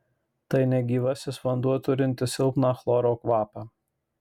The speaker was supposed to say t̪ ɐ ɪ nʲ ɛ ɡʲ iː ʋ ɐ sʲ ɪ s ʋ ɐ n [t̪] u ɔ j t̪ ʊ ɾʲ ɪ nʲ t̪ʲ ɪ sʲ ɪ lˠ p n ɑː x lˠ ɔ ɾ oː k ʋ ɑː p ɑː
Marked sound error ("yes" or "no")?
yes